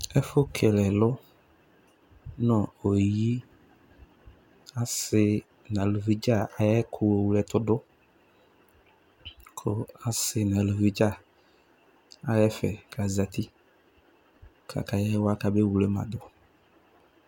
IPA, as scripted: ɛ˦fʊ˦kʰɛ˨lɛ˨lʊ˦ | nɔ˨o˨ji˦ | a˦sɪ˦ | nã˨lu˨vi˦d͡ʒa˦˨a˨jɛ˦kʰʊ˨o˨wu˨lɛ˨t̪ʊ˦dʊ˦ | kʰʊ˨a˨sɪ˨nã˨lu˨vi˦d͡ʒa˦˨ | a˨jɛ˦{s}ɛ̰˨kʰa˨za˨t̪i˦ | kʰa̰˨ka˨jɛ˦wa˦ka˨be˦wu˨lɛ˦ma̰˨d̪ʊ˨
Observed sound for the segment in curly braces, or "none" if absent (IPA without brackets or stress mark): f